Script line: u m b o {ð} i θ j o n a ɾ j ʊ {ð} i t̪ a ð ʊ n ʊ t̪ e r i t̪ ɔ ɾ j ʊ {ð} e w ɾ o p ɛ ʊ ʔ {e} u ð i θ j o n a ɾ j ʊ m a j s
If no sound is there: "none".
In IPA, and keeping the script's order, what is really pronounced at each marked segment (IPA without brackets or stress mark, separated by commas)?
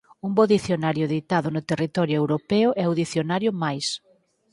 ð, ð, none, ɛ